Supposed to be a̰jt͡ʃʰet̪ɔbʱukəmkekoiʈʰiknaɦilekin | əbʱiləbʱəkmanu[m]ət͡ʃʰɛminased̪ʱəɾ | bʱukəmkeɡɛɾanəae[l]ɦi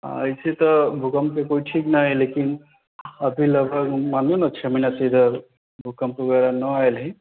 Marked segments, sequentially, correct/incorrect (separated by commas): incorrect, correct